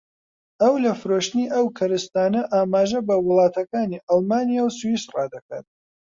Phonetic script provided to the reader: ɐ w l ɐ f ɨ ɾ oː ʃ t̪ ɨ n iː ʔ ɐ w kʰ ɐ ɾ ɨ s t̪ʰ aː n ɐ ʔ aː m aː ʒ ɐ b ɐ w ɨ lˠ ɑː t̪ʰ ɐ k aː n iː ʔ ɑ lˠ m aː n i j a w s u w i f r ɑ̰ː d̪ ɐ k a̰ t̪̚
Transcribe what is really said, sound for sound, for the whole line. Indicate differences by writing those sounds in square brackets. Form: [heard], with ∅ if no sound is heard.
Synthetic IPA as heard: ɐ w l ɐ f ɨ ɾ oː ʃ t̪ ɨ n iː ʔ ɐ w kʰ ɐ ɾ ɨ s [t̪] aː n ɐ ʔ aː m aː ʒ ɐ b ɐ w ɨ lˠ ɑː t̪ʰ ɐ k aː n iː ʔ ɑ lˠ m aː n i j a w s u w i [s] r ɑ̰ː d̪ ɐ k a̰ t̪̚